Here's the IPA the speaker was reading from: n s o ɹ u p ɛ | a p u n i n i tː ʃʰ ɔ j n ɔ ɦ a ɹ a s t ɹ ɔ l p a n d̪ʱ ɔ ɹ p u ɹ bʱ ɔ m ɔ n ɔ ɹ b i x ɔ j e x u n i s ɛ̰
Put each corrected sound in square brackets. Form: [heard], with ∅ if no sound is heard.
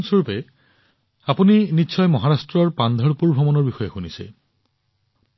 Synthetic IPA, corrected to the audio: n s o ɹ u p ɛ | a p u n i n i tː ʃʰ ɔ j [m] ɔ ɦ a ɹ a s t ɹ ɔ [ɹ] p a n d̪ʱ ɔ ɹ p u ɹ bʱ ɔ m ɔ n ɔ ɹ b i x ɔ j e x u n i s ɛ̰